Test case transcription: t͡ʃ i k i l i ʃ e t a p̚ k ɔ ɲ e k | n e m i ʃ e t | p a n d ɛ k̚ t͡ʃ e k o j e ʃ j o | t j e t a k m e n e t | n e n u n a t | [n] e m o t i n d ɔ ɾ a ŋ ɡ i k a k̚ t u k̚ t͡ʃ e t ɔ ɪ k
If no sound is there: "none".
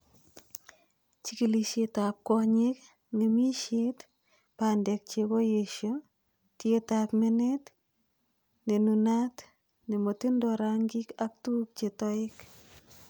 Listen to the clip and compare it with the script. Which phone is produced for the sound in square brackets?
n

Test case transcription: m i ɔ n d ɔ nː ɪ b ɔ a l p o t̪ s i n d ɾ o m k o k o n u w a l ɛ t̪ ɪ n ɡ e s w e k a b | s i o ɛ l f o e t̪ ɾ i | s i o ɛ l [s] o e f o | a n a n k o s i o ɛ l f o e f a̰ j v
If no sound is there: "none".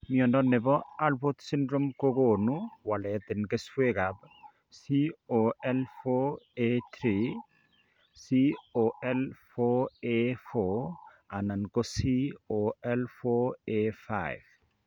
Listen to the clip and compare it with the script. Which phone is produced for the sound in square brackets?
f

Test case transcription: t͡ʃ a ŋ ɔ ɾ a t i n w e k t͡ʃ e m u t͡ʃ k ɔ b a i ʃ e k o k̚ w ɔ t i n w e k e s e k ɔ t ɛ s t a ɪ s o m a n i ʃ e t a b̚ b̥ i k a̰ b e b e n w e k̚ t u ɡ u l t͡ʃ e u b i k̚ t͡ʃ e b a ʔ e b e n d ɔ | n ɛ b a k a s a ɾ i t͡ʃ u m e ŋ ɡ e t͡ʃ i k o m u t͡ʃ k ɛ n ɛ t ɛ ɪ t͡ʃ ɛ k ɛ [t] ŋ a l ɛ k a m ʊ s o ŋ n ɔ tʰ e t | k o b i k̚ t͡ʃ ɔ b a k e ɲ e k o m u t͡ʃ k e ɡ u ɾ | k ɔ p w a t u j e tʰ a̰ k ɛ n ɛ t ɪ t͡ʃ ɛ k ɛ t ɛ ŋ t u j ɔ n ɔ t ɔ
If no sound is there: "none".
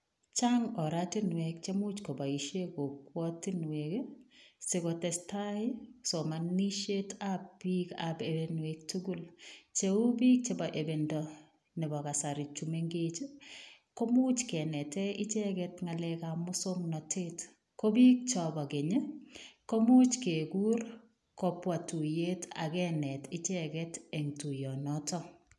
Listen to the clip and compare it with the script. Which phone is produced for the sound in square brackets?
t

